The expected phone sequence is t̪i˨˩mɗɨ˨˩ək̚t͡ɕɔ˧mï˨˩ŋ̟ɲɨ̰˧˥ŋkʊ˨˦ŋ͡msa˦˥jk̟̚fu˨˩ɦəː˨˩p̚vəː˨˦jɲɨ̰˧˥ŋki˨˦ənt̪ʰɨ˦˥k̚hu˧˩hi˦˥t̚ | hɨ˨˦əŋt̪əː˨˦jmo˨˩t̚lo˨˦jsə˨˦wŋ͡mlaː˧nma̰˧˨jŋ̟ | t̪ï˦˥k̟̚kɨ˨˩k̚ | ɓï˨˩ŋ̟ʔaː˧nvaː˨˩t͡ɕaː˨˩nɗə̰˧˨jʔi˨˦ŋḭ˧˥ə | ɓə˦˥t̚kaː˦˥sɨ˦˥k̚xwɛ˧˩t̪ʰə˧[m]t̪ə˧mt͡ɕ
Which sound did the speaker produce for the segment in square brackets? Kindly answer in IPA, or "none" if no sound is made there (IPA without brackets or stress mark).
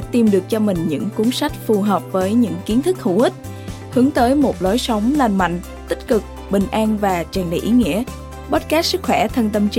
n